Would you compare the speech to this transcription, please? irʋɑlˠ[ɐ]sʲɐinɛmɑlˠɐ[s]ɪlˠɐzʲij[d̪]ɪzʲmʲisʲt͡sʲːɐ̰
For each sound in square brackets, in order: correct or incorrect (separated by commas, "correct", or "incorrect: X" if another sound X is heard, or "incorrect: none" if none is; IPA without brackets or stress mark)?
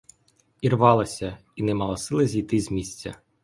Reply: correct, correct, incorrect: t̪